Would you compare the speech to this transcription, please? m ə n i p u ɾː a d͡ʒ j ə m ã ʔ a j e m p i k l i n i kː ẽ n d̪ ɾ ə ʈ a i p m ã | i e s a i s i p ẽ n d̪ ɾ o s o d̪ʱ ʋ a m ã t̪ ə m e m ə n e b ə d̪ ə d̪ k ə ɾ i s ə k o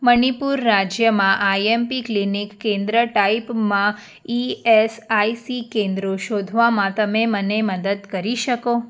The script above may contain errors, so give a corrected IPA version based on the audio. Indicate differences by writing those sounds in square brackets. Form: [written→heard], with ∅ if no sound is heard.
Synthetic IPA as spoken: m ə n i p u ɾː a d͡ʒ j ə m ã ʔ a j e m p i k l i n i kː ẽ n d̪ ɾ ə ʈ a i p m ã | i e s a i s i [p→k] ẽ n d̪ ɾ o [s→ʃ] o d̪ʱ ʋ a m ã t̪ ə m e m ə n e [b→m] ə d̪ ə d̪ k ə ɾ i [s→ʃ] ə k o